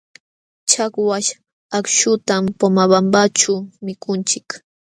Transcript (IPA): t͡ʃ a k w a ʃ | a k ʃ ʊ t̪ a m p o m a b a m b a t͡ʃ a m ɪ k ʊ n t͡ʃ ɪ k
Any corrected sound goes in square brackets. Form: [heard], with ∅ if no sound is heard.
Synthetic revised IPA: t͡ʃ a k w a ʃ | a k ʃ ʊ t̪ a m p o m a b a m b a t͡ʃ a m ɪ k ʊ n t͡ʃ ɪ k

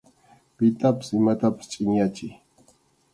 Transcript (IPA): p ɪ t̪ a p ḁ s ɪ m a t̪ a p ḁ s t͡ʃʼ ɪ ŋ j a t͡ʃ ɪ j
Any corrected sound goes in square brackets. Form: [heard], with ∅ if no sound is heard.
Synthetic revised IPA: p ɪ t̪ a p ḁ s ɪ m a t̪ a p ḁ s t͡ʃʼ ɪ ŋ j a t͡ʃ ɪ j

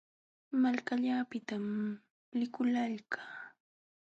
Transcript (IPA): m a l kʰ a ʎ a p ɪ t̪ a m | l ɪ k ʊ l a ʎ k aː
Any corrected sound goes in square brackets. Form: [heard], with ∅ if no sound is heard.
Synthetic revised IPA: m a l [k] a ʎ a p ɪ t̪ a m | l ɪ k ʊ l a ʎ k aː

